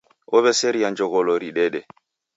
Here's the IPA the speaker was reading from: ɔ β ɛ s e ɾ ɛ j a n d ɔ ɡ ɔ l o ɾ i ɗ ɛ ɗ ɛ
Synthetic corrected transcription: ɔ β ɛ s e ɾ i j a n d͡ʒ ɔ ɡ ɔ l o ɾ i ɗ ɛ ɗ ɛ

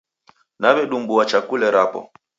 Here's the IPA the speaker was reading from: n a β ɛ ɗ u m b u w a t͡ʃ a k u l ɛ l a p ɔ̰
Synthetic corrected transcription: n a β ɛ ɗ u m b u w a t͡ʃ a k u l ɛ ɾ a p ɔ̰

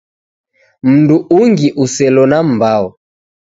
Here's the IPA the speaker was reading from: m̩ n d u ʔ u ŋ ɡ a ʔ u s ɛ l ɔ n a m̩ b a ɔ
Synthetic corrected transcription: m̩ n d u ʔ u ŋ ɡ i ʔ u s ɛ l ɔ n a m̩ b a ɔ

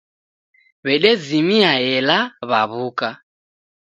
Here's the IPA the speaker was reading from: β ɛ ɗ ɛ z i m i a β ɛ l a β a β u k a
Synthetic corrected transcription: β ɛ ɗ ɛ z i m i a ɛ l a β a β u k a

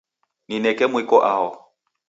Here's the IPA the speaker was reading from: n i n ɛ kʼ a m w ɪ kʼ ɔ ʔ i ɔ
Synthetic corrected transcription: n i n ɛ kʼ ɛ m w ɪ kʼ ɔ ʔ a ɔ

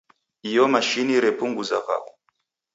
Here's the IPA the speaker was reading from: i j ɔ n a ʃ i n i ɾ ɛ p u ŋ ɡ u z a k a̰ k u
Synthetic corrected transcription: i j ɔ m a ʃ i n i ɾ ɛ p u ŋ ɡ u z a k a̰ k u

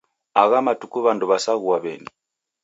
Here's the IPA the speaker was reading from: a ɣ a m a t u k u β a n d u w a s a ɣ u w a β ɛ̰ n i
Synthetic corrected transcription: a ɣ a m a t u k u β a n d u β a s a ɣ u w a β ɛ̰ n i

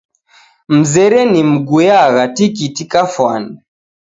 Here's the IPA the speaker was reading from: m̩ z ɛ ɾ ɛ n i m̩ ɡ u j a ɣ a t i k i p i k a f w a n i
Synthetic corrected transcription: m̩ z ɛ ɾ ɛ n i m̩ ɡ u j a ɣ a t i k i t i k a f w a n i

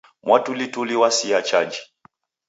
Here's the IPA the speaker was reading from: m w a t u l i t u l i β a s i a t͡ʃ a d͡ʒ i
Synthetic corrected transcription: m w a t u l i t u l i w a s i a t͡ʃ a d͡ʒ i

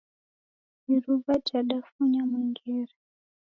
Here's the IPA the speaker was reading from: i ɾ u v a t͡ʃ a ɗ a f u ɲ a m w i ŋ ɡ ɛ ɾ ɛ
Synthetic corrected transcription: i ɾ u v a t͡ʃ a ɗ a f u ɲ a m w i ŋ ɡ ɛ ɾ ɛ

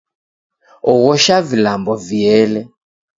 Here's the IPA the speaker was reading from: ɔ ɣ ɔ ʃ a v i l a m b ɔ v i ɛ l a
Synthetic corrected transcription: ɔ ɣ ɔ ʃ a v i l a m b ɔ v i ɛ l ɛ

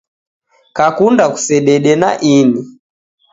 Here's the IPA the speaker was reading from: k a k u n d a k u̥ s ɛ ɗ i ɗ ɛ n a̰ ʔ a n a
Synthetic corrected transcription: k a k u n d a k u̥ s ɛ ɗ ɛ ɗ ɛ n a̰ ʔ i n i

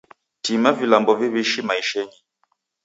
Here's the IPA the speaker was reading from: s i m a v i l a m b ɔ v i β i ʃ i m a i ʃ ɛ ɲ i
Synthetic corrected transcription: t i m a v i l a m b ɔ v i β i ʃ i m a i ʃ ɛ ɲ i

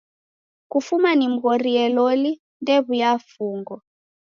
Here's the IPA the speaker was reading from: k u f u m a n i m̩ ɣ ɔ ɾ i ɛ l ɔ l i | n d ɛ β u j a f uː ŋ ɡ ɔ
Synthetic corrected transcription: k u f u m a n i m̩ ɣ ɔ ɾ i ɛ l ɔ l i | n d ɛ β u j a f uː ŋ ɡ ɔ

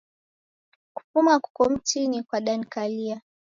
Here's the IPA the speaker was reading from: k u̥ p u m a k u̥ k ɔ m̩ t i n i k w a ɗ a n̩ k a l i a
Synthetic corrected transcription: k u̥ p u m a k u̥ k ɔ m̩ t i n i k w a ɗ a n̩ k a l i a

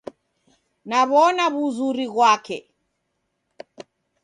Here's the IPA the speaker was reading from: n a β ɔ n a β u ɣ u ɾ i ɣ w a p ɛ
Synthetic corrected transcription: n a β ɔ n a β u z u ɾ i ɣ w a k ɛ

